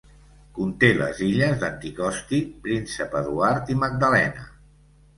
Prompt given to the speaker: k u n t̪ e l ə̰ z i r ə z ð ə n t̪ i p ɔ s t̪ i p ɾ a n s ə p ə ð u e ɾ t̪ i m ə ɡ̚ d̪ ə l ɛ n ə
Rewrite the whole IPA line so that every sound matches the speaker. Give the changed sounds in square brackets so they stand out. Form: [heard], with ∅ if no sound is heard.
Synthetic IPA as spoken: k u n t̪ e l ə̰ z i [ʎ] ə z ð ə n t̪ i [k] ɔ s t̪ i p ɾ [i] n s ə p ə ð u [a] ɾ t̪ i m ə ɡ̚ d̪ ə l ɛ n ə